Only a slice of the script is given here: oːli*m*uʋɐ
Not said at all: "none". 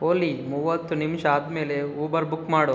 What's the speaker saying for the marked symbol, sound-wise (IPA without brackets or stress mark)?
m